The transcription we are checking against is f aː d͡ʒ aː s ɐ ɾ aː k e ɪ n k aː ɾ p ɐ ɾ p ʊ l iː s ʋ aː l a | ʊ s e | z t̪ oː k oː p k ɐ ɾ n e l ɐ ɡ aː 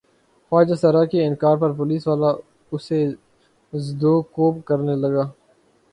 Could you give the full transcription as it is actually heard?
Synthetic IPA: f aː d͡ʒ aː s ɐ ɾ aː k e ɪ n k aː ɾ p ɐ ɾ p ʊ l iː s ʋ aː l a | ʊ s e | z d̪ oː k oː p k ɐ ɾ n e l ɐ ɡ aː